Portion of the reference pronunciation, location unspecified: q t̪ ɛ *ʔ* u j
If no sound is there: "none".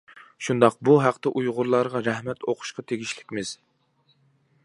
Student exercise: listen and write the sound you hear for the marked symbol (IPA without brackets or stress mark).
ʔ